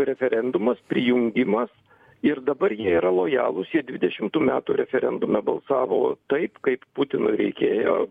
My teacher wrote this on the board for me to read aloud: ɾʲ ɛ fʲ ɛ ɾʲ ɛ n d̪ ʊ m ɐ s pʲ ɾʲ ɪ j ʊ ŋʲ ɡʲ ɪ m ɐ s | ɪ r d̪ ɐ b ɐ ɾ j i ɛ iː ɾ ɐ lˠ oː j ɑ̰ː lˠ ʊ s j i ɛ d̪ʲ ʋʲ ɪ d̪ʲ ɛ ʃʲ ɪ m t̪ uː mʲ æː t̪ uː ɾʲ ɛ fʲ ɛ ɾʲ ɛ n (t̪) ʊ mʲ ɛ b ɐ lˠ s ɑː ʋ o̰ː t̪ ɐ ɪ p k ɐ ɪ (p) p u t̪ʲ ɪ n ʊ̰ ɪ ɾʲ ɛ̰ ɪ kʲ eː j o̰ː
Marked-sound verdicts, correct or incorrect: incorrect: d̪, correct

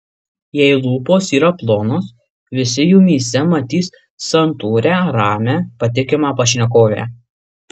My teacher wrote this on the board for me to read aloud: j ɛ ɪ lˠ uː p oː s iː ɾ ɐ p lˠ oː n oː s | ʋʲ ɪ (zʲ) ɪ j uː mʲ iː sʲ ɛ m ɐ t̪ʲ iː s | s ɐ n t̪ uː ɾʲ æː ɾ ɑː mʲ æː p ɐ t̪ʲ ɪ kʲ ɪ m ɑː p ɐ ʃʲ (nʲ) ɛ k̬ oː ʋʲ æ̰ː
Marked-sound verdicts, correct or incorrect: incorrect: sʲ, correct

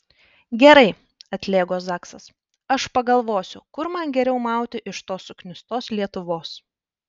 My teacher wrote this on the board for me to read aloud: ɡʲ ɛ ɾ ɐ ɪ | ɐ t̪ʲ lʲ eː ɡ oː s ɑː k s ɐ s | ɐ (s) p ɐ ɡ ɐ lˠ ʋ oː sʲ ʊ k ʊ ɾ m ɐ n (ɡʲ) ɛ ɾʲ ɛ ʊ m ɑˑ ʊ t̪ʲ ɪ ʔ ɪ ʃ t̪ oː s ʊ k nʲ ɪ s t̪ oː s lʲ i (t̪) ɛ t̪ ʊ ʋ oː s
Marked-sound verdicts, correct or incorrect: incorrect: ʃ, correct, incorrect: none

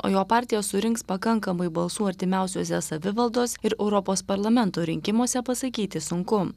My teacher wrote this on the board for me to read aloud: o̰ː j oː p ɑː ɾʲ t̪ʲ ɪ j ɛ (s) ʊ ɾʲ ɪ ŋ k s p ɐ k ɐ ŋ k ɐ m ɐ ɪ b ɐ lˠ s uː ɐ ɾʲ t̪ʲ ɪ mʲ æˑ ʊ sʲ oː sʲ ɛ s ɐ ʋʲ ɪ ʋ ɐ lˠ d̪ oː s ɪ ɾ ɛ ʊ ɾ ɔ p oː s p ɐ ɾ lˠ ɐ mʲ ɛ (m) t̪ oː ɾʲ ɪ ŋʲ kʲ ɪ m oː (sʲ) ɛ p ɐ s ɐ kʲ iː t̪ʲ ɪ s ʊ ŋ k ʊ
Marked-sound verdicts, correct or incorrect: correct, incorrect: n, correct

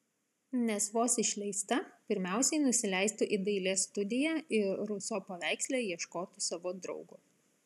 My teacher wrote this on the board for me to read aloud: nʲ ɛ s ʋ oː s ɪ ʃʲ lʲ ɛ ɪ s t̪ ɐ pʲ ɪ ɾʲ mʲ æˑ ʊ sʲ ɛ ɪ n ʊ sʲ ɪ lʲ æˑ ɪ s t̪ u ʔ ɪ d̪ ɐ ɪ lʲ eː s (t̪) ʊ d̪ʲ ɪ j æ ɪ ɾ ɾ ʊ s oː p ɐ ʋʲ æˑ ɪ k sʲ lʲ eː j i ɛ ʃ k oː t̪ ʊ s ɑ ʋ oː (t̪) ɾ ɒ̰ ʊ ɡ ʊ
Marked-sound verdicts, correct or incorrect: correct, incorrect: d̪

